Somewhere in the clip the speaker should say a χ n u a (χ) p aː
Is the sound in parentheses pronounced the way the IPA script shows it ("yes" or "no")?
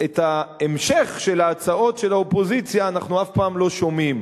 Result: no